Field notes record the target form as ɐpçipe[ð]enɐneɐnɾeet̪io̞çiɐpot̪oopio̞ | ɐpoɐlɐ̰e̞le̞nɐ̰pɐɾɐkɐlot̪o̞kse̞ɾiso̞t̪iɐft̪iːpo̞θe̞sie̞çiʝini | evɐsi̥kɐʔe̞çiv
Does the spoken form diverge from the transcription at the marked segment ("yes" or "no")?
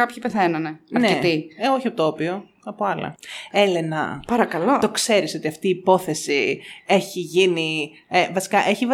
yes